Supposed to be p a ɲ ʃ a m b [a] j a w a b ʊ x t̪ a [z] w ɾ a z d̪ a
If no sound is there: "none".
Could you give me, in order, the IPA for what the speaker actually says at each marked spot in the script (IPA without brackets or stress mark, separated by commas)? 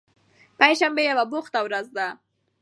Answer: e, none